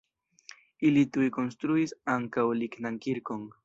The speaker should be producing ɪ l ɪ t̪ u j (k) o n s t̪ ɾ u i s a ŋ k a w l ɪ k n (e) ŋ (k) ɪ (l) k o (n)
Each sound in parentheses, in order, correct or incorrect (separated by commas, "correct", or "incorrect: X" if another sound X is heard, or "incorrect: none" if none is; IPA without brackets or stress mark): correct, incorrect: a, correct, incorrect: ɾ, incorrect: ŋ